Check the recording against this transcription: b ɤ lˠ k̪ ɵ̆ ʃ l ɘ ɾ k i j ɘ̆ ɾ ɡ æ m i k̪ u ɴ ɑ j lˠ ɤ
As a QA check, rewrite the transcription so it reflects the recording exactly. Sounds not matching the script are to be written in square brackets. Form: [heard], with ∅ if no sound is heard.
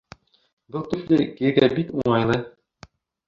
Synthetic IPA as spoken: b ɤ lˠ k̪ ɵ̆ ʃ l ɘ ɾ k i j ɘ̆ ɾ ɡ æ [b] i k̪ u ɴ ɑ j lˠ ɤ